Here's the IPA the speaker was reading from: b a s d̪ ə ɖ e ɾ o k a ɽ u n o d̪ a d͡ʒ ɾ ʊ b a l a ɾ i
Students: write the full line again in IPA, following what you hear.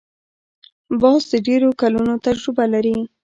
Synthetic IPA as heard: b ɑ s d̪ ə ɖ e ɾ o k a l u n o t̪ a d͡ʒ ɾ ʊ b a l a ɾ i